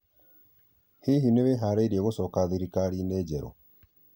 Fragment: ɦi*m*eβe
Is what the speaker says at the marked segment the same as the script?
no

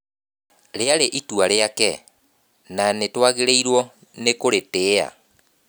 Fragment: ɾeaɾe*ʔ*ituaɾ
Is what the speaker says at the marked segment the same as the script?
yes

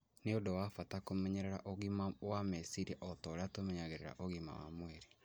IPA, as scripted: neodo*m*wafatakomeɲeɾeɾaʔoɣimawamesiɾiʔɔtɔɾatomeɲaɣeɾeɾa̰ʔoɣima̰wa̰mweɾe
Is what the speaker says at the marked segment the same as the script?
no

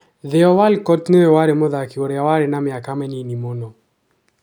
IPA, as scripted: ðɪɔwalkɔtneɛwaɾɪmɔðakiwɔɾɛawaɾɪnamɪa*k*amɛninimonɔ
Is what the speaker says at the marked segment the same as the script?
yes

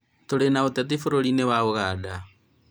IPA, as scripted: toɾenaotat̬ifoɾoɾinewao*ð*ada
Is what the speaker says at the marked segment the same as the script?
no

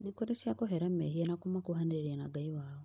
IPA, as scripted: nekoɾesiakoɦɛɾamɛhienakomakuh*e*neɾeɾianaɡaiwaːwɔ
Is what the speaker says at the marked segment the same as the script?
no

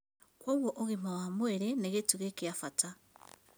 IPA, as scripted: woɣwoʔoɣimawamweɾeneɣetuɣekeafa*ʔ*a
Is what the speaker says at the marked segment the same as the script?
no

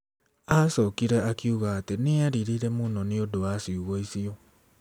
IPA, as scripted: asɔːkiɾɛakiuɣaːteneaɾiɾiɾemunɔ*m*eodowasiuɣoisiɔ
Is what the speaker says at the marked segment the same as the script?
no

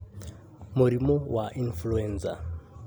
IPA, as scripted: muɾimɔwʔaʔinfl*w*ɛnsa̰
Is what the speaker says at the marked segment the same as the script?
no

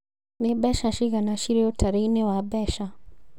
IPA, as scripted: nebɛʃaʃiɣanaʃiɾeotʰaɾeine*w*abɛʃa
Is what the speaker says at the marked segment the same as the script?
yes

